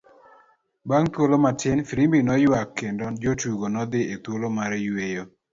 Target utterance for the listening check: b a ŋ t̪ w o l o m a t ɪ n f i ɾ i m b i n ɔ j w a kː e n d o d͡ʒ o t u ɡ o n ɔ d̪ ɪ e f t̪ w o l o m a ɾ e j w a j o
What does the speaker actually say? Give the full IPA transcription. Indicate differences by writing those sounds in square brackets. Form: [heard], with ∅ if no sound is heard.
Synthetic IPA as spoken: b a ŋ t̪ w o l o m a t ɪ n f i ɾ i m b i n ɔ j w a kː e n d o d͡ʒ o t u ɡ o n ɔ d̪ ɪ e [∅] t̪ w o l o m a ɾ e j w [e] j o